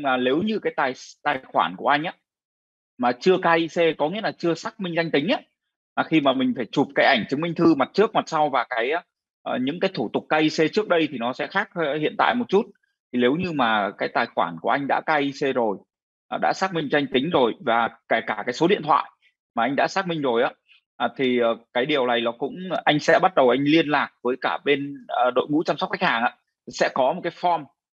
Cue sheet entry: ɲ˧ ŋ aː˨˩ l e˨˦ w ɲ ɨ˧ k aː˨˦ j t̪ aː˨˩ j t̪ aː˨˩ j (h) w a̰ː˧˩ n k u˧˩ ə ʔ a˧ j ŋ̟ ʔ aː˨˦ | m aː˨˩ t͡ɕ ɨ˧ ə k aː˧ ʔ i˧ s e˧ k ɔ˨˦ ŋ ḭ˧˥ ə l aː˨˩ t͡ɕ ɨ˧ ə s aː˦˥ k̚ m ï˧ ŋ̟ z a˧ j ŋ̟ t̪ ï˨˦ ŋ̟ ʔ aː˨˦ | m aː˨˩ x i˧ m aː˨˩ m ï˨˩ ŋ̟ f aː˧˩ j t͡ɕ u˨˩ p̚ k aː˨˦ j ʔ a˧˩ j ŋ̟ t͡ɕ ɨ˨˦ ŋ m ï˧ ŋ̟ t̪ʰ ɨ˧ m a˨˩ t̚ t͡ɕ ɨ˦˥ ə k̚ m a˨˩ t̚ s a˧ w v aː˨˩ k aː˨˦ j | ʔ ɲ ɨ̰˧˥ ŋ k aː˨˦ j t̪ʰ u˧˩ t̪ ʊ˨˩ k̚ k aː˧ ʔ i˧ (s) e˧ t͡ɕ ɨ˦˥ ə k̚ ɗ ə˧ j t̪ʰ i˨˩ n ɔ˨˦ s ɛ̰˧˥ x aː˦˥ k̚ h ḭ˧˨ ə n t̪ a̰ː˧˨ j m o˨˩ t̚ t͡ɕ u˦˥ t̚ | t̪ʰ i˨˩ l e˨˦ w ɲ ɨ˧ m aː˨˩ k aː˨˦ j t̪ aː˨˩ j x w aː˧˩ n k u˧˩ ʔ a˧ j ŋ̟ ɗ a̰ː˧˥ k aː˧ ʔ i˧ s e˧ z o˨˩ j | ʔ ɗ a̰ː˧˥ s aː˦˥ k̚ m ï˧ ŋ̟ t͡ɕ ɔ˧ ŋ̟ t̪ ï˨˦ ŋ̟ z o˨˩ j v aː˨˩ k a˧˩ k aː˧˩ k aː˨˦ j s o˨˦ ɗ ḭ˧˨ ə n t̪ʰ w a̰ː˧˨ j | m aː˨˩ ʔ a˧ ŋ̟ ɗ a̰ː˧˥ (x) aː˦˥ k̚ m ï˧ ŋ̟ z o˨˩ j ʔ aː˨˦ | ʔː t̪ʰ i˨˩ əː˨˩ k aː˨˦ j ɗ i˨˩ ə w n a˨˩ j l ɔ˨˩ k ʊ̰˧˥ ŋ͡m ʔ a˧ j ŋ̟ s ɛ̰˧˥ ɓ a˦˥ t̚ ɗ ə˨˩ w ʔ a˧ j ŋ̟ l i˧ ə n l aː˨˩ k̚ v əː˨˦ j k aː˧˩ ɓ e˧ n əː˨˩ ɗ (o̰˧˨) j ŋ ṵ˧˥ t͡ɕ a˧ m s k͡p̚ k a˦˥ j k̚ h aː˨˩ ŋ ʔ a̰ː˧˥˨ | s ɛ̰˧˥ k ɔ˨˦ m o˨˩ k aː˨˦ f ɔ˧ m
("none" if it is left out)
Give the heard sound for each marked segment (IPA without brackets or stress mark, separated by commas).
x, s, s, o̰˧˨